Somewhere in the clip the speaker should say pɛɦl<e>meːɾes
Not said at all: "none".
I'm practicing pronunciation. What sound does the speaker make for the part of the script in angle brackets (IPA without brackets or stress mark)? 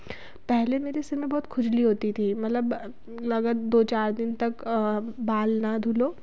e